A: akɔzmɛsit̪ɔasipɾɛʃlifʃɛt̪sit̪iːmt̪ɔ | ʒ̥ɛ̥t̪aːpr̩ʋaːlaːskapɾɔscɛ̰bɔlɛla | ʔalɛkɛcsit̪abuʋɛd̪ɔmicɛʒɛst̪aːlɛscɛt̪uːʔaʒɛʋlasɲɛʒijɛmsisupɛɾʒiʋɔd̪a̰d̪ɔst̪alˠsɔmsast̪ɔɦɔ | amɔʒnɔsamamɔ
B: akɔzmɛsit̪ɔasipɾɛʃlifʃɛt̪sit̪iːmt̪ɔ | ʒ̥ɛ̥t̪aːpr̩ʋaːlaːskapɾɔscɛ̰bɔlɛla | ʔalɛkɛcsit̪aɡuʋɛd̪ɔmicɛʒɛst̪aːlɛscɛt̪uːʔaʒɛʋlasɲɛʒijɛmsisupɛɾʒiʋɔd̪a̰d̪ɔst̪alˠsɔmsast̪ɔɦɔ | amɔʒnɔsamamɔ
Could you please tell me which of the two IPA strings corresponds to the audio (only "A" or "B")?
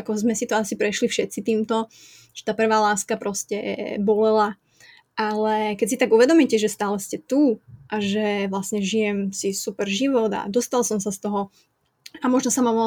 B